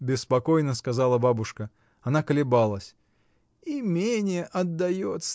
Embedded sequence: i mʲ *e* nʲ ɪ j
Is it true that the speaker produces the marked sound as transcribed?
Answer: yes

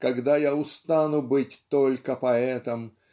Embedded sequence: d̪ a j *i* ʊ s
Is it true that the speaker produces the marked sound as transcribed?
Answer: no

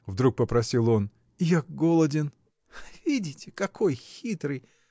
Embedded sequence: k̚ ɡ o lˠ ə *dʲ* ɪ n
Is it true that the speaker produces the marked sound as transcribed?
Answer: yes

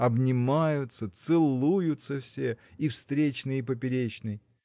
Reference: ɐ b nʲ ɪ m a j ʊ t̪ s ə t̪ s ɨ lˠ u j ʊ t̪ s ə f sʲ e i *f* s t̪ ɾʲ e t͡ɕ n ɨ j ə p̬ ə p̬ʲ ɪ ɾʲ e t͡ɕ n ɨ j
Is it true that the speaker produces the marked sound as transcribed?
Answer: yes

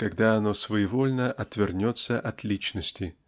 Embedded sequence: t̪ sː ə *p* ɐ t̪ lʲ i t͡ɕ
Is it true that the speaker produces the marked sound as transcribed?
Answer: no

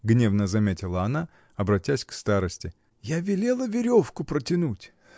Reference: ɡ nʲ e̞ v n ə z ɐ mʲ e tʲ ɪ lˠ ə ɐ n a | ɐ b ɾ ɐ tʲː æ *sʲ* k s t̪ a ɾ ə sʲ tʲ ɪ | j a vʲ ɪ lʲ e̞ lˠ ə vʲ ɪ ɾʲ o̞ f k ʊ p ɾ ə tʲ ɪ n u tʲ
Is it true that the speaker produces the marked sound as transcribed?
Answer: yes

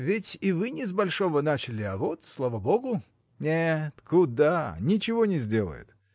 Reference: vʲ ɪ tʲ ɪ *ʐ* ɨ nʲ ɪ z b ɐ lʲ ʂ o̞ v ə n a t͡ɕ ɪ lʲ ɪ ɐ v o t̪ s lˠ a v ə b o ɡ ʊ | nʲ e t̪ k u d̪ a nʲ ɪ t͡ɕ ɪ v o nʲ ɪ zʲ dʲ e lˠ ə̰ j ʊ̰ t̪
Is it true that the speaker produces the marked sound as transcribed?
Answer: no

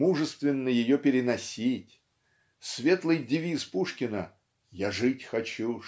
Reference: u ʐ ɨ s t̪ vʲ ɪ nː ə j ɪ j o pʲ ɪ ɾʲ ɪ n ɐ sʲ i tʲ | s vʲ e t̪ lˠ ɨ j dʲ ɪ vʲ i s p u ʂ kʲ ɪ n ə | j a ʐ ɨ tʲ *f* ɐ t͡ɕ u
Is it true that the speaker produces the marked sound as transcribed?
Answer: no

